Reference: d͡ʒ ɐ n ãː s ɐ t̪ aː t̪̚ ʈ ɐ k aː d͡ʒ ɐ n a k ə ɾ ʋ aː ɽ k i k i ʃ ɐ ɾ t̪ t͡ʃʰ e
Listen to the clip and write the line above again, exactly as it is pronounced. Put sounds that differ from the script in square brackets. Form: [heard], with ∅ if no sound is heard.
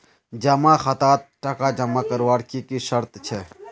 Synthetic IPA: d͡ʒ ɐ [m] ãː [x] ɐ t̪ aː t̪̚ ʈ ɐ k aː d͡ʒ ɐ [m] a k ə ɾ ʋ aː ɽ k i k i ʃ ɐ ɾ t̪ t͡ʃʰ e